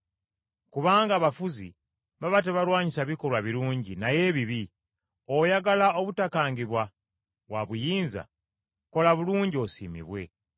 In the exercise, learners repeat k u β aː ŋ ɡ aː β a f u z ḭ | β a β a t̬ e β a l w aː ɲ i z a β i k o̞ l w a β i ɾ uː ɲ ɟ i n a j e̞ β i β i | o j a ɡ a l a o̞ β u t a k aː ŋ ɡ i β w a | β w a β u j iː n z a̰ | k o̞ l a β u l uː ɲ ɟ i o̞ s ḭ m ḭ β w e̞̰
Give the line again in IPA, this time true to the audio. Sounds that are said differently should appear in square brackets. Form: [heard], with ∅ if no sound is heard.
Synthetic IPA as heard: k u β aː ŋ ɡ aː β a f u z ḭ | β a β a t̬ e β a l w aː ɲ i [s] a β i k o̞ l w a β i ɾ uː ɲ ɟ i n a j e̞ β i β i | o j a ɡ a l a o̞ β u t a k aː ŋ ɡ i β w a | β w a β u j iː n z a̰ | k o̞ l a β u l uː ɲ ɟ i o̞ s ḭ m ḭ β w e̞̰